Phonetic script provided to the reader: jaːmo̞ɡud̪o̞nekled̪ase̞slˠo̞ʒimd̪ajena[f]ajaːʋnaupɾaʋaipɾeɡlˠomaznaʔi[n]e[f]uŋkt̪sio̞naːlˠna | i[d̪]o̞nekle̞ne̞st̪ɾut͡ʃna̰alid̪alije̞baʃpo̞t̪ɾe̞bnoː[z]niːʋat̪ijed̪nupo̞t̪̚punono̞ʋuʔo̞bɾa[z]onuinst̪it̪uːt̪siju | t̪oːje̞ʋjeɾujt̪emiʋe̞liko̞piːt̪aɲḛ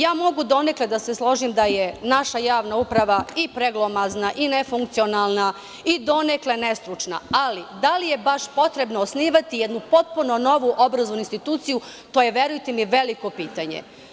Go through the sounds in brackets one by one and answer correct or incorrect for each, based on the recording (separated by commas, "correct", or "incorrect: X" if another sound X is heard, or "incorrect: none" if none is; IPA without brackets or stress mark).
incorrect: ʃ, correct, correct, correct, incorrect: s, correct